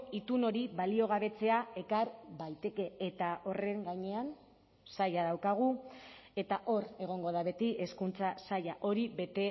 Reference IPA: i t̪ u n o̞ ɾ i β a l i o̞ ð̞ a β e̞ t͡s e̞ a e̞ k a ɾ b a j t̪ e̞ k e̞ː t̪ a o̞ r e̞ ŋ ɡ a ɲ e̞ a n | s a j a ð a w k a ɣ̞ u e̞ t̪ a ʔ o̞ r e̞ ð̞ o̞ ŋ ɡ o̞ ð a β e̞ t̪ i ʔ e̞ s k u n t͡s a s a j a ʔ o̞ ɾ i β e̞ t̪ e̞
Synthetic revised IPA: i t̪ u n o̞ ɾ i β a l i o̞ ɣ̞ a β e̞ t͡s e̞ a e̞ k a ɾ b a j t̪ e̞ k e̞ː t̪ a o̞ r e̞ ŋ ɡ a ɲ e̞ a n | s a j a ð a w k a ɣ̞ u e̞ t̪ a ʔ o̞ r e̞ ɣ̞ o̞ ŋ ɡ o̞ ð a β e̞ t̪ i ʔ e̞ s k u n t͡s a s a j a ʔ o̞ ɾ i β e̞ t̪ e̞